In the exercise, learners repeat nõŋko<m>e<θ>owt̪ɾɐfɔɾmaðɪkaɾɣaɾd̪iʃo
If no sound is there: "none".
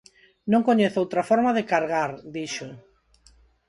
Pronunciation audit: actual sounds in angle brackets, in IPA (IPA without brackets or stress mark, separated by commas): ɲ, θ